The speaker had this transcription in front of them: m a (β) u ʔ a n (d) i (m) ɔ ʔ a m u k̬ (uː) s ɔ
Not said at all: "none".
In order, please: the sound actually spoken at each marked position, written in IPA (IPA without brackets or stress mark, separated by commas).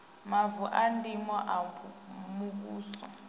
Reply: v, d, m, uː